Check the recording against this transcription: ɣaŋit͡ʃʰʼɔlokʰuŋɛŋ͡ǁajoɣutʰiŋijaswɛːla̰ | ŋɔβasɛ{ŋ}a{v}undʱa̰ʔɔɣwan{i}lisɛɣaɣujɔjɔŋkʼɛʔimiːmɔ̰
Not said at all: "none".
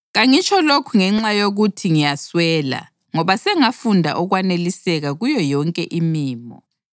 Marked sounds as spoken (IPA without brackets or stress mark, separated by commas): ŋ, f, e